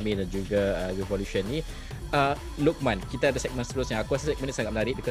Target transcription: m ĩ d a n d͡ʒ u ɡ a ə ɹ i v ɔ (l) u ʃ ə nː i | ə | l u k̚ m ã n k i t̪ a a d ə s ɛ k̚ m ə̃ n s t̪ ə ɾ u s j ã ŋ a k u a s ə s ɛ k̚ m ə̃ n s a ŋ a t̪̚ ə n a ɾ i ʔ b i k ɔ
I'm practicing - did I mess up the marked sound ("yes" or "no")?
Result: no